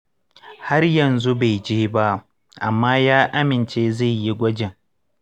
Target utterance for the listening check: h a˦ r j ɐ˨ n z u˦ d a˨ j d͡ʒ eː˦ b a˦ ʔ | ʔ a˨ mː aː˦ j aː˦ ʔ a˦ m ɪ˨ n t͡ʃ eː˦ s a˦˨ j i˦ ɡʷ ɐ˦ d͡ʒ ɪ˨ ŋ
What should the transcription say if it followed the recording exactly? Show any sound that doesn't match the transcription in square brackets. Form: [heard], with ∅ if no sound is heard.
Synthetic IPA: h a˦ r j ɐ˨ n z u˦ [b] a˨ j d͡ʒ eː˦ b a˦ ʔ | ʔ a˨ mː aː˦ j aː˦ ʔ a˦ m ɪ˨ n t͡ʃ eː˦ [z] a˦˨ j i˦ ɡʷ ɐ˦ d͡ʒ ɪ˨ ŋ